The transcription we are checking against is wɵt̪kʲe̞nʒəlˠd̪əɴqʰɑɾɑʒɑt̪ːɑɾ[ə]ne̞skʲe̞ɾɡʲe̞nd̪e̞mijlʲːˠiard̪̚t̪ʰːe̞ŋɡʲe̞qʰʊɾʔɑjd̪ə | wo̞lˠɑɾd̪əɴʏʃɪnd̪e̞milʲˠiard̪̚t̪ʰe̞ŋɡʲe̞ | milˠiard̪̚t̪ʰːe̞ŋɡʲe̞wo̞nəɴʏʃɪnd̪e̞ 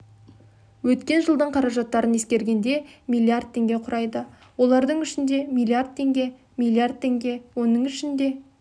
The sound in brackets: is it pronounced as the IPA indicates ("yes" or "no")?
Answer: yes